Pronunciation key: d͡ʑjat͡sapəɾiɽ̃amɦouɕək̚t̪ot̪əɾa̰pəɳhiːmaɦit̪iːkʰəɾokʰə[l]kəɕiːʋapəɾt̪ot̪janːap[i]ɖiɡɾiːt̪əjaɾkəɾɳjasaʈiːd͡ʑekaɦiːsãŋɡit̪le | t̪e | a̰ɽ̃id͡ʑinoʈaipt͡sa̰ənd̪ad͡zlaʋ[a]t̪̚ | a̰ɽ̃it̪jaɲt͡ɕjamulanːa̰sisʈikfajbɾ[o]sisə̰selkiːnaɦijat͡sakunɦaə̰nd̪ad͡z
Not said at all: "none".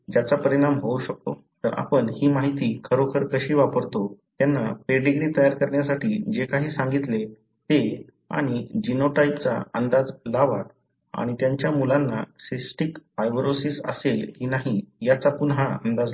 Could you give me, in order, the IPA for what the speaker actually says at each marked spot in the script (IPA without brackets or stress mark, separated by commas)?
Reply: ɾ, e, a, o